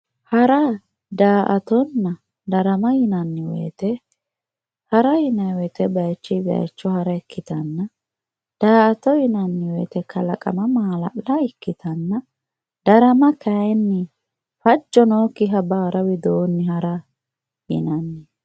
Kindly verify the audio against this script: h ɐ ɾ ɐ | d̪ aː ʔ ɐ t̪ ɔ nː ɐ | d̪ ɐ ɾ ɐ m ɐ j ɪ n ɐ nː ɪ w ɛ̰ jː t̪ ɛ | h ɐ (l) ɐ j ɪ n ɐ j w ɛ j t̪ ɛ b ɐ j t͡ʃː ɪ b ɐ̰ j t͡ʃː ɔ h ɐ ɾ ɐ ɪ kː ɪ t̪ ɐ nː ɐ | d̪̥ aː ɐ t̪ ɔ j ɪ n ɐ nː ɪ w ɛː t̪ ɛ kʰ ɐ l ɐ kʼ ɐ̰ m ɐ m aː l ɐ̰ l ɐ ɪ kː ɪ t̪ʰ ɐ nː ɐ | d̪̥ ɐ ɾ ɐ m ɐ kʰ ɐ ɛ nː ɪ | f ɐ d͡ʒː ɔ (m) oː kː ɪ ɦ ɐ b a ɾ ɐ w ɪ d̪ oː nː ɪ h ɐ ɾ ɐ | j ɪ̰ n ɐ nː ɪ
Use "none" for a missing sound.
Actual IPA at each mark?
ɾ, n

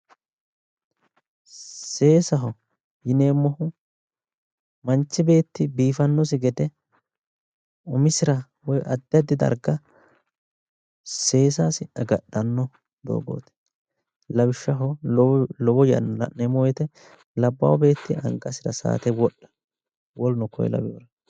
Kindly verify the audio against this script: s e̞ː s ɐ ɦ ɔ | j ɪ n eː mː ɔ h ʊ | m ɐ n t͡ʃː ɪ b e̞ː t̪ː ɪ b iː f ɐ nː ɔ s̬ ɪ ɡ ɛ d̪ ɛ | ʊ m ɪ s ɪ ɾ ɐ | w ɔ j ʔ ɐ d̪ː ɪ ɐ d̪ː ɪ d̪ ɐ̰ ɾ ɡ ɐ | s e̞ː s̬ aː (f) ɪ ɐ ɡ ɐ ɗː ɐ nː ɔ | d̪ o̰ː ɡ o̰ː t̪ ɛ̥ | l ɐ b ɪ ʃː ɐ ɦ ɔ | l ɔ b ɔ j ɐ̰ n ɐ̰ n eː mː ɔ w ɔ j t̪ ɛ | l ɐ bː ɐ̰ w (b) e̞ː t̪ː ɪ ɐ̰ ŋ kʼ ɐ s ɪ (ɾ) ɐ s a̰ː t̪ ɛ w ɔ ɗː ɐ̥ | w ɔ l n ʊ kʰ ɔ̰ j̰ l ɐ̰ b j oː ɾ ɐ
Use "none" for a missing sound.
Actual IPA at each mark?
s, b, ɾ

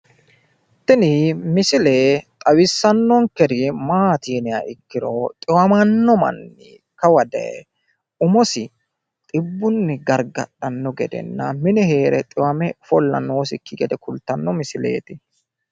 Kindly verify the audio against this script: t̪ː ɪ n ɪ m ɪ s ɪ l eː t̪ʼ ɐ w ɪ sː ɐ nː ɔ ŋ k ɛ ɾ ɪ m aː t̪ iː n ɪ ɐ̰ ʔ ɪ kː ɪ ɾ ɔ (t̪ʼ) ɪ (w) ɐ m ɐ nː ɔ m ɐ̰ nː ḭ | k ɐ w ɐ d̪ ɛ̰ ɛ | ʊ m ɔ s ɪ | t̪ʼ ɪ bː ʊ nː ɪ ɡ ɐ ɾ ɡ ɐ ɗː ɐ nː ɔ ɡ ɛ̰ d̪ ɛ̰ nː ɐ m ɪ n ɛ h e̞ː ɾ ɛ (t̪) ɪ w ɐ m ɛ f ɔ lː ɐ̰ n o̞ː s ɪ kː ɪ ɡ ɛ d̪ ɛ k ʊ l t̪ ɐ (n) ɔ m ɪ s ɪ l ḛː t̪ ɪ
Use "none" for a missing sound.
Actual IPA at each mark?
t̪ʼ, w, t̪ʼ, nː

